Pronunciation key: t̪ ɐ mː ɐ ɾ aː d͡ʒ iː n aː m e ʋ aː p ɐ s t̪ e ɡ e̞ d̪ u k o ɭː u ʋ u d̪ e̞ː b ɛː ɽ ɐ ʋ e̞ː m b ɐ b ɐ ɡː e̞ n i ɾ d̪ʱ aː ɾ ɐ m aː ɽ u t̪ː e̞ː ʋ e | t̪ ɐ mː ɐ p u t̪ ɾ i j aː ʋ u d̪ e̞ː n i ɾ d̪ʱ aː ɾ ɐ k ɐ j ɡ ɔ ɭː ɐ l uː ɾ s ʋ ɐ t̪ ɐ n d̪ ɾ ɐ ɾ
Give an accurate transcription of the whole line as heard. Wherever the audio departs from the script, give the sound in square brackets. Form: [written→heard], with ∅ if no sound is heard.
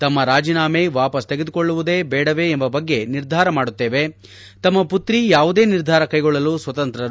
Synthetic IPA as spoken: t̪ ɐ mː ɐ ɾ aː d͡ʒ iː n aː m e ʋ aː p ɐ s t̪ e ɡ e̞ d̪ u k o ɭː u ʋ u d̪ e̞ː b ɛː ɽ ɐ ʋ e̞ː m b ɐ b ɐ ɡː e̞ n i ɾ d̪ʱ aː ɾ ɐ m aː ɽ u t̪ː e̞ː ʋ e | t̪ ɐ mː ɐ p u t̪ ɾ i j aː ʋ u d̪ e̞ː n i ɾ d̪ʱ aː ɾ ɐ k ɐ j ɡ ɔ ɭː ɐ l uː [ɾ→∅] s ʋ ɐ t̪ ɐ n [d̪→t̪] ɾ ɐ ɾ